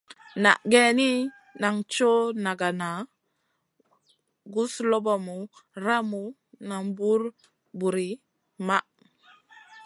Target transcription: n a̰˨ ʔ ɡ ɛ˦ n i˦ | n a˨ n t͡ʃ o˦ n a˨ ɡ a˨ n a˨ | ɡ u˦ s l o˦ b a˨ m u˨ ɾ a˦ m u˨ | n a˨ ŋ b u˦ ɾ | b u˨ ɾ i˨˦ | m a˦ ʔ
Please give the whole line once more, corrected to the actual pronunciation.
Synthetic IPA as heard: n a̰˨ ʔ ɡ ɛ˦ n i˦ | n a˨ ŋ t͡ʃ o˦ n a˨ ɡ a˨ n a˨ | ɡ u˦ s l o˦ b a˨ m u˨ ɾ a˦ m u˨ | n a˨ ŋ b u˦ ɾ | b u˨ ɾ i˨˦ | m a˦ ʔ